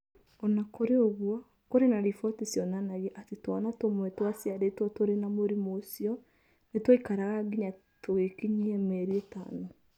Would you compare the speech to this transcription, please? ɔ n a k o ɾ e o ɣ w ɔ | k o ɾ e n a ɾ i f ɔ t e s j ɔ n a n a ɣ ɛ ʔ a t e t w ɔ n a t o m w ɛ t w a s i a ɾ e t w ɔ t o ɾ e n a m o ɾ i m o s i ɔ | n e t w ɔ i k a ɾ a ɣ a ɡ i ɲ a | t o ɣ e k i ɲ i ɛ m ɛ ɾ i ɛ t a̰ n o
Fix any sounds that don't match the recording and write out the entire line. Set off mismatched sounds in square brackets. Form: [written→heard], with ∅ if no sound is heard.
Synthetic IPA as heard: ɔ n a k o ɾ e o ɣ w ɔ | k o ɾ e n a ɾ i f ɔ t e s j ɔ n a n a ɣ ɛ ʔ a t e t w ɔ n a t o m w ɛ t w a s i a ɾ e t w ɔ t o ɾ e n a m o ɾ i m o s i ɔ | n e t w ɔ i k a ɾ a ɣ a ɡ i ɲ a | t o ɣ e k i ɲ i ɛ m ɛ ɾ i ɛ t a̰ n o